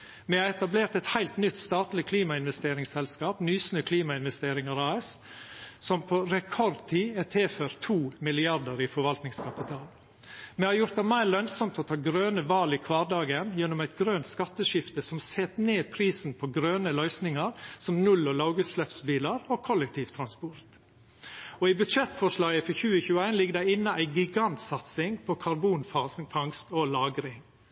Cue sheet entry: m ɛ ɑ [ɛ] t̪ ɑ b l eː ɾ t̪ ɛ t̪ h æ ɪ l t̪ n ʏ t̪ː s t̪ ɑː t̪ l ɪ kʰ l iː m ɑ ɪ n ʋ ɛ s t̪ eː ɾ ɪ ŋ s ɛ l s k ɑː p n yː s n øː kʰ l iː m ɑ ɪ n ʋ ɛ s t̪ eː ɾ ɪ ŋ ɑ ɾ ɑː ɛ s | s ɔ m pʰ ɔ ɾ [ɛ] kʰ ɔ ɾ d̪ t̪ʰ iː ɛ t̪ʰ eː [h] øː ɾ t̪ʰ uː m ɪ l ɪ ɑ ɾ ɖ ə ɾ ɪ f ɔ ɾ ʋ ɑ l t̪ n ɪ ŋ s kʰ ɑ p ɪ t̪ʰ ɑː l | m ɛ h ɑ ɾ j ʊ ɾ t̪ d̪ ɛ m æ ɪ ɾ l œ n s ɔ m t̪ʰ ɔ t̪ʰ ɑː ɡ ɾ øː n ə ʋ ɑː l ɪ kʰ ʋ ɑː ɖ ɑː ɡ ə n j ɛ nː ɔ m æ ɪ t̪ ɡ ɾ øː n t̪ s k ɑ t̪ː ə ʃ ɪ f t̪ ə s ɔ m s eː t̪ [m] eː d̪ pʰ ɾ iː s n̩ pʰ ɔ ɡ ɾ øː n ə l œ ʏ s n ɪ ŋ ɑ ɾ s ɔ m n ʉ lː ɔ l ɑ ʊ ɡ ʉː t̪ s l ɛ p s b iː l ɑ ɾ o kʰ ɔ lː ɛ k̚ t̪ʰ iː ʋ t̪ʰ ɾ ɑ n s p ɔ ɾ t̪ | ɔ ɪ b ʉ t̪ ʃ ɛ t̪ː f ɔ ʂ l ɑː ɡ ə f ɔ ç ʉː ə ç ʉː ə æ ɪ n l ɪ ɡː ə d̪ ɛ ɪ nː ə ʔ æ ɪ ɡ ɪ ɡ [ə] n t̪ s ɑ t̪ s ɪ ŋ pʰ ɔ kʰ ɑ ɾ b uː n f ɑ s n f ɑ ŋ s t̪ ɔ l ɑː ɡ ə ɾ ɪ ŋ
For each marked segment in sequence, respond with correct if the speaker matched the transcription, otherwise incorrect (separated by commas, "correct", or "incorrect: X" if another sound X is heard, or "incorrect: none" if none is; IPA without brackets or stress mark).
correct, correct, incorrect: f, incorrect: n, incorrect: ɑ